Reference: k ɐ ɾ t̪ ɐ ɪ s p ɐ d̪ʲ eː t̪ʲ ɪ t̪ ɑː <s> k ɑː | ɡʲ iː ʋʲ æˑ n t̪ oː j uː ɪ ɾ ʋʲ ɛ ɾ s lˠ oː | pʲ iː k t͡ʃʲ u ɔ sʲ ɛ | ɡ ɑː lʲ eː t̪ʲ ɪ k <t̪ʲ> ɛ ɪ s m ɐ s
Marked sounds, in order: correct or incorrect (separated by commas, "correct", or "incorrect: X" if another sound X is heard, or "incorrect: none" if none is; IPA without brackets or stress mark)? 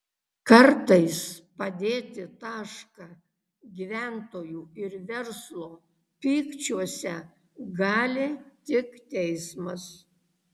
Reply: incorrect: ʃ, correct